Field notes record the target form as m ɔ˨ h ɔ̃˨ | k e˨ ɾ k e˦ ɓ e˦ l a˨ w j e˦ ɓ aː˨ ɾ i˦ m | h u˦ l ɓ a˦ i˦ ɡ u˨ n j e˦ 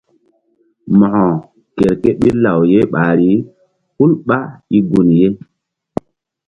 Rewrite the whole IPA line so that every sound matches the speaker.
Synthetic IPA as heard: m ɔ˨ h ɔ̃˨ | k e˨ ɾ k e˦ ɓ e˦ l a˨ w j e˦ ɓ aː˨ ɾ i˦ | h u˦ l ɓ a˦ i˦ ɡ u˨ n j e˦